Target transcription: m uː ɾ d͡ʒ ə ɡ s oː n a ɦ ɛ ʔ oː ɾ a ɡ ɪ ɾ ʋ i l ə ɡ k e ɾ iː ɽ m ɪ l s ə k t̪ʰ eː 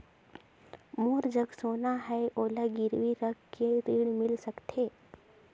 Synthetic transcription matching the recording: m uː ɾ d͡ʒ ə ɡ s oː n a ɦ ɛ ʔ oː l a ɡ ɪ ɾ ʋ i ɾ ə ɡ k e ɾ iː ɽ m ɪ l s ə k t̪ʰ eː